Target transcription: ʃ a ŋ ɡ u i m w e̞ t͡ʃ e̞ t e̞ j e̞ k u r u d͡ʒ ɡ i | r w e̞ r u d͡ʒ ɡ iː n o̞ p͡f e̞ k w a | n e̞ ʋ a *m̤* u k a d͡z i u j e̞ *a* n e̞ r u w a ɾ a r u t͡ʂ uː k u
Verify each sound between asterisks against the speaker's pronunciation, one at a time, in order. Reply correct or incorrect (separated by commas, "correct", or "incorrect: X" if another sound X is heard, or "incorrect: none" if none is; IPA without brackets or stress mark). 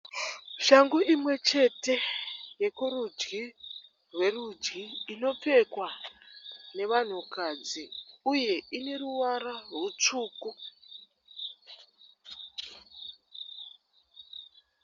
incorrect: n̤, incorrect: i